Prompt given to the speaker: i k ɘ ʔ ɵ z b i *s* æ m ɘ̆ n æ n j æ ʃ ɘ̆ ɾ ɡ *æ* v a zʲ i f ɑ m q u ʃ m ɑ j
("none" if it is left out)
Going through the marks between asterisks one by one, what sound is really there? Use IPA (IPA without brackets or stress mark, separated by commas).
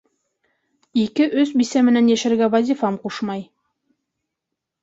s, æ